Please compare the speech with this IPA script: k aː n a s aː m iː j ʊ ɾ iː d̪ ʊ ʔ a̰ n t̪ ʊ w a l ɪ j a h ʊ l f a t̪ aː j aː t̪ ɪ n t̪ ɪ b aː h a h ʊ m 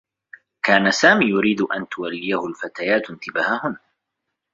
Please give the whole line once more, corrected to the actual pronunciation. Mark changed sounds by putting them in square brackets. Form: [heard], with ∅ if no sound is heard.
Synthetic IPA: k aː n a s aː m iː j ʊ ɾ iː d̪ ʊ ʔ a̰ n t̪ ʊ w a [lː] ɪ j a h ʊ l f a t̪ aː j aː t̪ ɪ n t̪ ɪ b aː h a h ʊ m